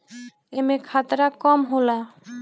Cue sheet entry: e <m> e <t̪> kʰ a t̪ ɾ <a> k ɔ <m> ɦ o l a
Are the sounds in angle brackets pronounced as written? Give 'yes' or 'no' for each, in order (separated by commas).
yes, no, yes, yes